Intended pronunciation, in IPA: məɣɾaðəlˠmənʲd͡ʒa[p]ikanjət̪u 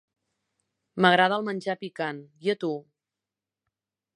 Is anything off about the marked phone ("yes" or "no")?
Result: no